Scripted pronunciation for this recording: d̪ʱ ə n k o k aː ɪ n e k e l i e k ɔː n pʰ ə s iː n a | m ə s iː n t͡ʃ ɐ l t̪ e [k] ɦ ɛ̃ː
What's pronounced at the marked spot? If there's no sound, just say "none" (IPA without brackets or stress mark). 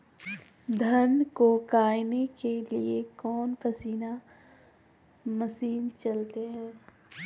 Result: none